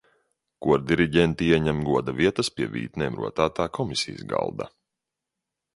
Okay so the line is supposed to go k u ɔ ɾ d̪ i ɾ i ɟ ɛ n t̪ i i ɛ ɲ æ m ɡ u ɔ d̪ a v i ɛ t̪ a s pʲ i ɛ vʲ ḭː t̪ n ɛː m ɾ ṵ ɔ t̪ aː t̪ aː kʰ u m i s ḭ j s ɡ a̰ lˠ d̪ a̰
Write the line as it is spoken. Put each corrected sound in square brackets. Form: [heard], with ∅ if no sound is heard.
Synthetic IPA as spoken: k u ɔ ɾ d̪ i ɾ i ɟ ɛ n t̪ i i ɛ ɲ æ m ɡ u ɔ d̪ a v i ɛ t̪ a s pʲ i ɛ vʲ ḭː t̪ n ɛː m ɾ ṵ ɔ t̪ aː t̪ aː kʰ [ɔ] m i s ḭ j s ɡ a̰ lˠ d̪ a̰